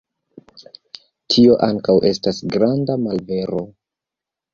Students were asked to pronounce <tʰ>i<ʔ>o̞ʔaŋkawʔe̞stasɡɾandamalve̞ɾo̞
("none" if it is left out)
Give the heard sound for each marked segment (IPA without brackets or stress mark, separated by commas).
tʰ, none